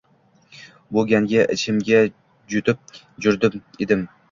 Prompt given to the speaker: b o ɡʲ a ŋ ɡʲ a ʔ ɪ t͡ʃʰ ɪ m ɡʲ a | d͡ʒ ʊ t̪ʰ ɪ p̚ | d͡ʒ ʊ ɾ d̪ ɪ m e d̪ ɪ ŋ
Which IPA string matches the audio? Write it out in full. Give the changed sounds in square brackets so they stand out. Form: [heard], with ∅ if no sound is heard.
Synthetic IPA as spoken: b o ɡʲ a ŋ ɡʲ a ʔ ɪ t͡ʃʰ ɪ m ɡʲ a | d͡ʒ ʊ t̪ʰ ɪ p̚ | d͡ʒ ʊ ɾ d̪ ɪ m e d̪ ɪ [m]